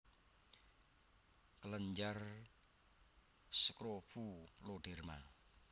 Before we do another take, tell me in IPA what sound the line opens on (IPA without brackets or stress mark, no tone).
k